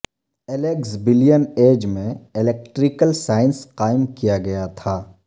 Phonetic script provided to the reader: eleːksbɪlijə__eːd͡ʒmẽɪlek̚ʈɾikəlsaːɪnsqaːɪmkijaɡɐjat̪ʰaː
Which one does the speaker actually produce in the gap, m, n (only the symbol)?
n